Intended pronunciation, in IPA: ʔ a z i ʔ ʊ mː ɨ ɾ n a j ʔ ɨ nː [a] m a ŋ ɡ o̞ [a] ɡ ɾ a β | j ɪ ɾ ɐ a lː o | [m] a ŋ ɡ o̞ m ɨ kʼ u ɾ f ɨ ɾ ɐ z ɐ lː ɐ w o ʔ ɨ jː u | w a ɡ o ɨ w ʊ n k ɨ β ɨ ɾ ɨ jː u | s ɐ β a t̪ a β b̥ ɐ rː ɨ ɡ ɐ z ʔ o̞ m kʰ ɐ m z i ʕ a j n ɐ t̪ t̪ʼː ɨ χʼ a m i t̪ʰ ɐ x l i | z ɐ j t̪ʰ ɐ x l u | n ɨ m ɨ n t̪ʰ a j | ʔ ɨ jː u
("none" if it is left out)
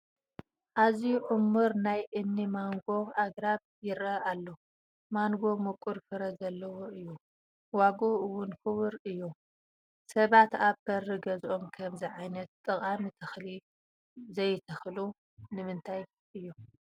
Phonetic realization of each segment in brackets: i, a, m

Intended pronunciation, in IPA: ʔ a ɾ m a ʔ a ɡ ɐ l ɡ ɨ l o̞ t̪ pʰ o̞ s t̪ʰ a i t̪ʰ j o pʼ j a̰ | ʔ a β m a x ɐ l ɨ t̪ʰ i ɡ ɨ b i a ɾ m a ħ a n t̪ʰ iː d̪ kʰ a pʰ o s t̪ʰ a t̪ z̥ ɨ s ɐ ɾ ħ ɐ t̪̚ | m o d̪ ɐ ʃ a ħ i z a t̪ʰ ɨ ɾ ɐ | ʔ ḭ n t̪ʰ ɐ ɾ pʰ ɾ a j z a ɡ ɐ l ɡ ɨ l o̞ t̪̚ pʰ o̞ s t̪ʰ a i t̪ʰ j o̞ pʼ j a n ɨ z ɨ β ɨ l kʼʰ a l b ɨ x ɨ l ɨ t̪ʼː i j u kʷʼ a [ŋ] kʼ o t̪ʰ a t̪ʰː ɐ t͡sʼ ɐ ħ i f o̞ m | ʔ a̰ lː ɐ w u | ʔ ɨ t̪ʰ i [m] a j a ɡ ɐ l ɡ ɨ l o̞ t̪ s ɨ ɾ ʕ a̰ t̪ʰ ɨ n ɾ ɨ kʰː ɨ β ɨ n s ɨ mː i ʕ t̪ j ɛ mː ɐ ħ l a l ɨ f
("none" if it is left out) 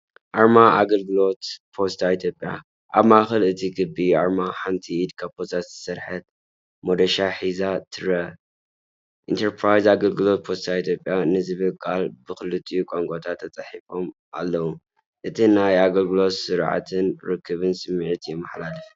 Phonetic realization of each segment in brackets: ŋ, n

